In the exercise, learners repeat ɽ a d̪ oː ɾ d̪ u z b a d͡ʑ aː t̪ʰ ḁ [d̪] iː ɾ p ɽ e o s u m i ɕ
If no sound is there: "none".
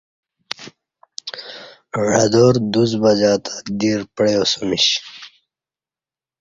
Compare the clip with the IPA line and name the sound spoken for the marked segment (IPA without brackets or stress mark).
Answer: d̪